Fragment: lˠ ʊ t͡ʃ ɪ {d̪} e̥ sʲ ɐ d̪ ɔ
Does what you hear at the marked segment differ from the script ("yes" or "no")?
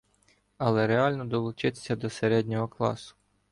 yes